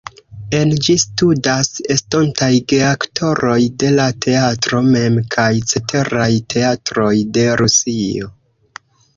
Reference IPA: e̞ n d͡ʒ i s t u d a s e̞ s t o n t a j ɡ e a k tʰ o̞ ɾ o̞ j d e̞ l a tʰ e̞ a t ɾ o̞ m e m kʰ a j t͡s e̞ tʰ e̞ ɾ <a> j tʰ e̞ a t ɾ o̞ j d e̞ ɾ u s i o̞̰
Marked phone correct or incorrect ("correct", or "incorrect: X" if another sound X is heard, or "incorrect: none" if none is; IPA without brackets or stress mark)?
correct